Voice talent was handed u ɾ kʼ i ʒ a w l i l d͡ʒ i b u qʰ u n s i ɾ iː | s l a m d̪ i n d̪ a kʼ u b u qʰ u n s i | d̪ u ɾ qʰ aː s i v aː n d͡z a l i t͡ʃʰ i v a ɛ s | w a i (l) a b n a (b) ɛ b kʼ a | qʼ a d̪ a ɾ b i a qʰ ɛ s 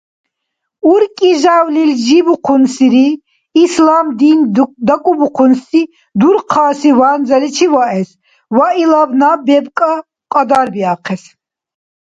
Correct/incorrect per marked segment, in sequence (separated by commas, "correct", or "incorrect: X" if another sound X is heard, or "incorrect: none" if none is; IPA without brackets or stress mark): correct, correct